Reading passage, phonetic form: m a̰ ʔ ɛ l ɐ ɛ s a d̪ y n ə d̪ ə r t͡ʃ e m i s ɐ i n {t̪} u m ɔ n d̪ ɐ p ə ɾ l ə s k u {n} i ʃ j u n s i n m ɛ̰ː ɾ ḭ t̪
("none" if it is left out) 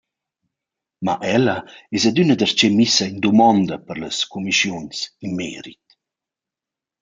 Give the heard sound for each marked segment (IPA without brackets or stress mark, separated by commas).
d̪, m